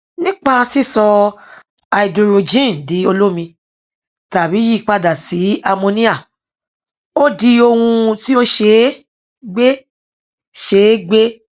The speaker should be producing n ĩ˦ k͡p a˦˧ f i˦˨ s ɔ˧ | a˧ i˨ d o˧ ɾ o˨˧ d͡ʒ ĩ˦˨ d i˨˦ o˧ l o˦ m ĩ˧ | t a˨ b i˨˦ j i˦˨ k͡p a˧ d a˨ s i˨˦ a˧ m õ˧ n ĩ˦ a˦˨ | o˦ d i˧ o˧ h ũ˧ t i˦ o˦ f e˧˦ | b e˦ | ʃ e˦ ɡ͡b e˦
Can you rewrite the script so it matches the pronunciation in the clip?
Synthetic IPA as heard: n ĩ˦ k͡p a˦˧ s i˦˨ s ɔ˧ | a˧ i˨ d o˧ ɾ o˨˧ d͡ʒ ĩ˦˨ d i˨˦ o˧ l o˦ m ĩ˧ | t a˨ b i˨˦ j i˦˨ k͡p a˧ d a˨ s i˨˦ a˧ m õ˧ n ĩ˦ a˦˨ | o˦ d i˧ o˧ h ũ˧ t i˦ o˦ ʃ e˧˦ | ɡ͡b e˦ | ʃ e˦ ɡ͡b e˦